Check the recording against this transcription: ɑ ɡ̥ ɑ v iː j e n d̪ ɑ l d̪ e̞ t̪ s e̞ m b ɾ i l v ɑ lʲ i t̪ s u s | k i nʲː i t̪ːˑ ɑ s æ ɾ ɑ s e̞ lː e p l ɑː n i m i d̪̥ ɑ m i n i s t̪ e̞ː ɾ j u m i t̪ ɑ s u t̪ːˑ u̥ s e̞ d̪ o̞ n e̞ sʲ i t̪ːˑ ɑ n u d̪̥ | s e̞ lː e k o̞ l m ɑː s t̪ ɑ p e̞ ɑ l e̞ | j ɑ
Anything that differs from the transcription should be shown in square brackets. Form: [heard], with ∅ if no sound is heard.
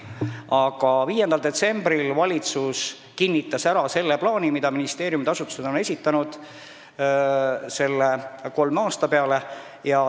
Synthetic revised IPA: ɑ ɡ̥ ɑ v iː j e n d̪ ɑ l d̪ e̞ t̪ s e̞ m b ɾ i l v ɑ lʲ i t̪ s u s | k i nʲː i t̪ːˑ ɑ s æ ɾ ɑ s e̞ lː e p l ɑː n i m i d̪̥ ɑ m i n i s t̪ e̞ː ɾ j u m i t̪ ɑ s u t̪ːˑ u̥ s e̞ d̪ o̞ n e̞ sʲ i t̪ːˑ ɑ n u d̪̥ | s e̞ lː e k o̞ l m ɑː s t̪ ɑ p e̞ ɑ l e̞ | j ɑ